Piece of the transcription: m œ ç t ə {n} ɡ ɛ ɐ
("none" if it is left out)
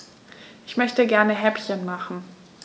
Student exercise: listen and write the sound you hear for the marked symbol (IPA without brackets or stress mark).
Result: none